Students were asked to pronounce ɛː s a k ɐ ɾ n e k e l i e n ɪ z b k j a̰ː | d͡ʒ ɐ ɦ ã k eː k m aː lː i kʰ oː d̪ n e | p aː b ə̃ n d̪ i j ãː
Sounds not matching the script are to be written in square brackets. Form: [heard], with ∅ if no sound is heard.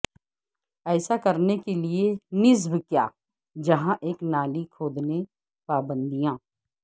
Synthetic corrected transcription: ɛː s a k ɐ ɾ n e k e l i e n ɪ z b k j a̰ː | d͡ʒ ɐ ɦ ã [ʔ] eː k [n] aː [l] i kʰ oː d̪ n e | p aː b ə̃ n d̪ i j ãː